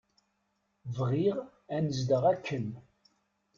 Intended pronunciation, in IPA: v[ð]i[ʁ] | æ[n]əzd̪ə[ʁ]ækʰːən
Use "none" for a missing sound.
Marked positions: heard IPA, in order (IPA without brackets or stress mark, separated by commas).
ʁ, ʁ, n, ʁ